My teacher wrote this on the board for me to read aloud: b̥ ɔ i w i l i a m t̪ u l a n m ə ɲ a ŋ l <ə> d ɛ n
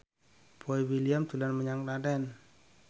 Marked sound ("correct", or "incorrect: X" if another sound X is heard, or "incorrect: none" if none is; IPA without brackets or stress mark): incorrect: a